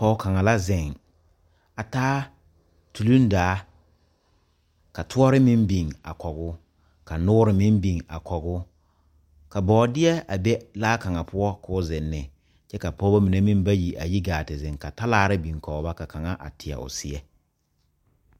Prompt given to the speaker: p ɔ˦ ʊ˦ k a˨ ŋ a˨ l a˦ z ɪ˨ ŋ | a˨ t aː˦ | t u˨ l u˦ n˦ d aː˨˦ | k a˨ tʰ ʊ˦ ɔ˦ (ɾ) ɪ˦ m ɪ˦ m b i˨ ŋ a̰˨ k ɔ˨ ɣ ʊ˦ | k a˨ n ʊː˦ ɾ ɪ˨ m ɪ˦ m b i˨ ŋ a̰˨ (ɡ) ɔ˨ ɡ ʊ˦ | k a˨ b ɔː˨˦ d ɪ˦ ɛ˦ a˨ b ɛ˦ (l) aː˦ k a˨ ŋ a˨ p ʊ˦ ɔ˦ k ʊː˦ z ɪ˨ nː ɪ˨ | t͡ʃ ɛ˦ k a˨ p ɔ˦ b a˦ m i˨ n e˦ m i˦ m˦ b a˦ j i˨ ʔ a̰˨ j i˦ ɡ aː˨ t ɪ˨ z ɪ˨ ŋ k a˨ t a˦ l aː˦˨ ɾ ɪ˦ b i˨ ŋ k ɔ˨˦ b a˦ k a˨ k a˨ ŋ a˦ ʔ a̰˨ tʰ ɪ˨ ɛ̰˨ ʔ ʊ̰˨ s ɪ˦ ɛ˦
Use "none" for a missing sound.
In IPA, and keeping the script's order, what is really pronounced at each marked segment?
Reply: ɾ, k, l

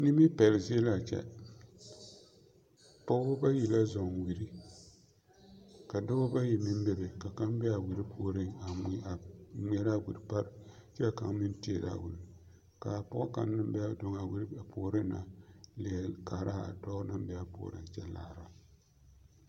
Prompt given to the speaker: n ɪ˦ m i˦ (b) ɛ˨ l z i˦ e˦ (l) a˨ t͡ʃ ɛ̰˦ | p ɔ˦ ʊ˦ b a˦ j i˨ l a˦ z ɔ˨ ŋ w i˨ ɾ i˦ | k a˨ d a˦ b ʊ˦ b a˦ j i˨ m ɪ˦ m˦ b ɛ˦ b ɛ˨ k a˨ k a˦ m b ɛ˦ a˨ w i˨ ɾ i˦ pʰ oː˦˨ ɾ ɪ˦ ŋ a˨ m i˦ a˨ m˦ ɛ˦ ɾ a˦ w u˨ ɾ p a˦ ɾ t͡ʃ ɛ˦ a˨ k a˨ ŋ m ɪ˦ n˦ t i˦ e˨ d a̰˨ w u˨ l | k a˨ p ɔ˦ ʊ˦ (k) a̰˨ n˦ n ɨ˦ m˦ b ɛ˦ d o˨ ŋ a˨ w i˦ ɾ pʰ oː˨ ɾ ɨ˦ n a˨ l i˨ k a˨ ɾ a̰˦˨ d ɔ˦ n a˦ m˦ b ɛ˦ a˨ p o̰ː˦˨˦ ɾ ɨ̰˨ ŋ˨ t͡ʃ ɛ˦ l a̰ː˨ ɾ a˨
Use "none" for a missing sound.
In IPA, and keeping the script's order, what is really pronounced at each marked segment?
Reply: p, l, k

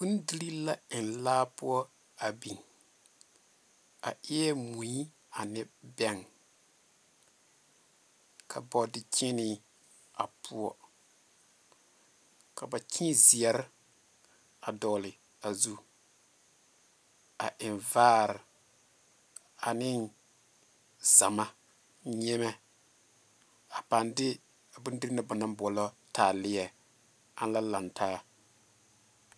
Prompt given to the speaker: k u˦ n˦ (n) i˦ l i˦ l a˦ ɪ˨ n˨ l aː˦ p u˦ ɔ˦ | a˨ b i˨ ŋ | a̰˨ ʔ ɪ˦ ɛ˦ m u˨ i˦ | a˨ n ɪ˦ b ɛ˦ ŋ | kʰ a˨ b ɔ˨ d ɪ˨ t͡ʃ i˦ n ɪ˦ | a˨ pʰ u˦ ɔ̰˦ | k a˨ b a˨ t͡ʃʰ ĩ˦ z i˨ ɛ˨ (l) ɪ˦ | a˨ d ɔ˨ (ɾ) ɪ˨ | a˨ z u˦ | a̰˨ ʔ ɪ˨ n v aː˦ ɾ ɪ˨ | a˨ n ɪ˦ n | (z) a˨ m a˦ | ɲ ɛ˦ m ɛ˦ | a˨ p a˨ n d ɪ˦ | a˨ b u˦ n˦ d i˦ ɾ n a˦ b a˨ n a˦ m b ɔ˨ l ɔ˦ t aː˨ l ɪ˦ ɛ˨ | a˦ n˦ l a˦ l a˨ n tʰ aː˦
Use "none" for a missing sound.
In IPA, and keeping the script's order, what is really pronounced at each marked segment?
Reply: d, ɾ, l, z

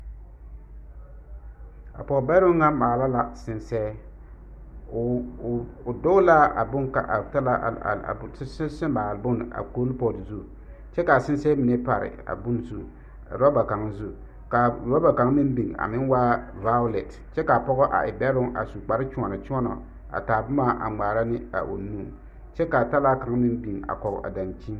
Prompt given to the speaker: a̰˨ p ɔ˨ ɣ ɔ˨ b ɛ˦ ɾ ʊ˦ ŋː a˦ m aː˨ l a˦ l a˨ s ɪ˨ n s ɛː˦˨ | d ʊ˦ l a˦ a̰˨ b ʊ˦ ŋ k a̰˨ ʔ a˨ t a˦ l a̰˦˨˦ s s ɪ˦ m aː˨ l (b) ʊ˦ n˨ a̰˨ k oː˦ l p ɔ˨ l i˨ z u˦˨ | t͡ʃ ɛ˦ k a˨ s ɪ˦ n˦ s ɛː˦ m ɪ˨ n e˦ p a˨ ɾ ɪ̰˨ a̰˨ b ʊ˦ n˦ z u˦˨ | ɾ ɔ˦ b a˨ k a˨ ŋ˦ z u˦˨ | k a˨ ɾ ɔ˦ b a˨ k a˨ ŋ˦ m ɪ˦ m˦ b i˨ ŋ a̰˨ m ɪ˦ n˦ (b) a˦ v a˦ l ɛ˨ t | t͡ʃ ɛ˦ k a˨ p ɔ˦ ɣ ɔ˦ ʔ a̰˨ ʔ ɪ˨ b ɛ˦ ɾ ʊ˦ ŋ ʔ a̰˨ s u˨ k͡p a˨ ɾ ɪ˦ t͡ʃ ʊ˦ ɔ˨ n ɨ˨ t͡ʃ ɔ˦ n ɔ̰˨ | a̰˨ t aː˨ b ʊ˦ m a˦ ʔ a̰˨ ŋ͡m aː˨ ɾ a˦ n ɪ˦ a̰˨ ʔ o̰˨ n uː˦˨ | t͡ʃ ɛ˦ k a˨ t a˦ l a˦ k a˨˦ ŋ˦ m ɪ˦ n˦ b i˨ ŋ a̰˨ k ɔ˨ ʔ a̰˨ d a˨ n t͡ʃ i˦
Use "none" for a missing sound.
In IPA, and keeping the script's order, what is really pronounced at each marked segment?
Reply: b, w

